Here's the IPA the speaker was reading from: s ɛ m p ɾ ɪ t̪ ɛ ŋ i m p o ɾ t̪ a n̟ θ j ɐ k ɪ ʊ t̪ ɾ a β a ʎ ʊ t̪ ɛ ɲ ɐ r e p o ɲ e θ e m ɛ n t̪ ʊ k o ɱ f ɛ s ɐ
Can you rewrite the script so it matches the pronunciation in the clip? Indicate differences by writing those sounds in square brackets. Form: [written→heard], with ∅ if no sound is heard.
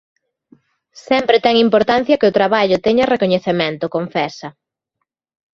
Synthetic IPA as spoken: s ɛ m p ɾ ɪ t̪ ɛ ŋ i m p o ɾ t̪ a n̟ θ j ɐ k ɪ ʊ t̪ ɾ a β a ʎ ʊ t̪ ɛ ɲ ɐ r e [p→k] o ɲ e θ e m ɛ n t̪ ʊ k o ɱ f ɛ s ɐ